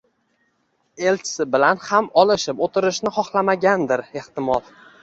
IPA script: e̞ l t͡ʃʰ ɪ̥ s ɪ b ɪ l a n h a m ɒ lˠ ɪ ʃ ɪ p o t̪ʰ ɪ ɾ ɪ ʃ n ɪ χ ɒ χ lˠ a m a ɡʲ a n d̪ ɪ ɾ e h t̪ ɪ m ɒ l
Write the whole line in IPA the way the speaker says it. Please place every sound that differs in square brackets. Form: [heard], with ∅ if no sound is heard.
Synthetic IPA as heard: e̞ l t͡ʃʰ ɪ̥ s ɪ b ɪ l a n h a m ɒ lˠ ɪ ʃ ɪ p o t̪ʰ ɪ ɾ ɪ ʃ n ɪ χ ɒ χ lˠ a m a ɡʲ a n d̪ ɪ ɾ e h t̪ ɪ m ɒ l